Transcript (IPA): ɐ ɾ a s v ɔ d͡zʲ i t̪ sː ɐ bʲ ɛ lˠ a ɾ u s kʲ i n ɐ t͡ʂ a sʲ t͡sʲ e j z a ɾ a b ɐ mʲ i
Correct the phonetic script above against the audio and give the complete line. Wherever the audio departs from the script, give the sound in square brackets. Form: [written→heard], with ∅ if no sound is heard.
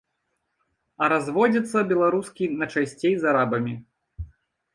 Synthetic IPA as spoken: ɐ ɾ a [s→z] v ɔ d͡zʲ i t̪ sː ɐ bʲ ɛ lˠ a ɾ u s kʲ i n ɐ t͡ʂ a sʲ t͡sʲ e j z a ɾ a b ɐ mʲ i